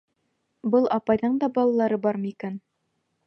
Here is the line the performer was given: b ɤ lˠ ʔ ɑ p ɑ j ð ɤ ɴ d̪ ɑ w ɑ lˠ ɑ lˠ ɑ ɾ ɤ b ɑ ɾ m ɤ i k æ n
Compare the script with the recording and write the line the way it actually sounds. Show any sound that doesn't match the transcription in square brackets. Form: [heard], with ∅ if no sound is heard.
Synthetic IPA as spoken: b ɤ lˠ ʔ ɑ p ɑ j ð ɤ ɴ d̪ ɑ [b] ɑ lˠ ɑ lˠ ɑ ɾ ɤ b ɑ ɾ m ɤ i k æ n

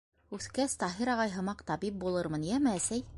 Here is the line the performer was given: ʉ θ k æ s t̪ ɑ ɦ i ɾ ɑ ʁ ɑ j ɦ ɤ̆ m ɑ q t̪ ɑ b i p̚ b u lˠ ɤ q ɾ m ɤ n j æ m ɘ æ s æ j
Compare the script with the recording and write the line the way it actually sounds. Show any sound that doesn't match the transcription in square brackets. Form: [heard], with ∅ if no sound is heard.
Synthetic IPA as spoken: ʉ θ k æ s t̪ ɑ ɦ i ɾ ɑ ʁ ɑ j ɦ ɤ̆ m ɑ q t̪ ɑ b i p̚ b u lˠ ɤ [∅] ɾ m ɤ n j æ m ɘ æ s æ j

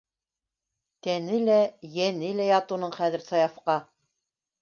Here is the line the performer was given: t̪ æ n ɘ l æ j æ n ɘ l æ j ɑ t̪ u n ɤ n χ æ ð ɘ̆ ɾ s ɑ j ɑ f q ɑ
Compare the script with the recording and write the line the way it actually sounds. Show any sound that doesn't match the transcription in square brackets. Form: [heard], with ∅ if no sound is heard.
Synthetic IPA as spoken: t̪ æ n ɘ l æ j æ n ɘ l æ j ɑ t̪ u n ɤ [ɴ] χ æ ð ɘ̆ ɾ s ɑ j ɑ f q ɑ

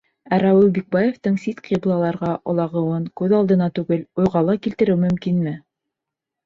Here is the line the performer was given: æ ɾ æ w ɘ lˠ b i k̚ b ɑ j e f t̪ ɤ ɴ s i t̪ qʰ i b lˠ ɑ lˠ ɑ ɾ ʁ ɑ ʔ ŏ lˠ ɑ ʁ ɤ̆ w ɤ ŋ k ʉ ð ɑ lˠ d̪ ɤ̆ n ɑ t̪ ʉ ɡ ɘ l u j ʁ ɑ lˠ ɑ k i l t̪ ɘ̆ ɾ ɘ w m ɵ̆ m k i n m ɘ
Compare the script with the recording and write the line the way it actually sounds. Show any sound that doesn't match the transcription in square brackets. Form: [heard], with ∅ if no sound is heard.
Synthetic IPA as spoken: æ ɾ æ w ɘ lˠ b i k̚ b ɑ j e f t̪ ɤ ɴ s i t̪ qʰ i b lˠ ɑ lˠ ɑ ɾ ʁ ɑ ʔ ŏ lˠ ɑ ʁ ɤ̆ w ɤ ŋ k ʉ ð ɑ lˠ d̪ ɤ̆ n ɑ t̪ ʉ ɡ ɘ l u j ʁ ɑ lˠ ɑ k i l t̪ ɘ̆ ɾ ɘ w m ɵ̆ m k i n m ɘ

